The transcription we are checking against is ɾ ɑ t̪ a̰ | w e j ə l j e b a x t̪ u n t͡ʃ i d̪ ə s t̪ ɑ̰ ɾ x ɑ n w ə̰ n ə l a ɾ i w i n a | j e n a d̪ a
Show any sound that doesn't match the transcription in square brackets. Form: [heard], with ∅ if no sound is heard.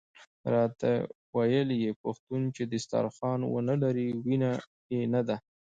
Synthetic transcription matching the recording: ɾ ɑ t̪ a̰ | w [a] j ə l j e [p] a x t̪ u n t͡ʃ [e] d̪ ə s t̪ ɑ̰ ɾ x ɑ n w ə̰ n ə l a ɾ i w i n a | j e n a d̪ a